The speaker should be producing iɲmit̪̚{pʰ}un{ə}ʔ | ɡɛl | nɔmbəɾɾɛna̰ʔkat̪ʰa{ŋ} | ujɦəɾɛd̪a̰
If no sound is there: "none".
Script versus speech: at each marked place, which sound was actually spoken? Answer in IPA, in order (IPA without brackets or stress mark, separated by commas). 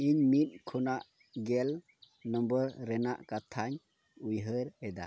kʰ, a, ɲ